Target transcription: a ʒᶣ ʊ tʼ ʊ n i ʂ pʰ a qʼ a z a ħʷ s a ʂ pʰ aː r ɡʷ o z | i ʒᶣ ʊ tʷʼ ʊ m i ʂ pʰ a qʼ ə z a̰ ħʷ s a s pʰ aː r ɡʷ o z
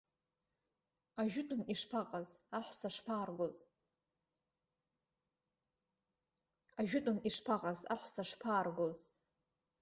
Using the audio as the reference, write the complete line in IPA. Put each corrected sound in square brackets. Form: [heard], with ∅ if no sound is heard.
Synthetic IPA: a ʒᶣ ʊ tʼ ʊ n i ʂ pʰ a qʼ a z a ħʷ s a ʂ pʰ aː r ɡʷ o z | [a] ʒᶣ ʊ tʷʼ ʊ [n] i ʂ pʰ a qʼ [a] z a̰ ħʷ s a [ʂ] pʰ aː r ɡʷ o z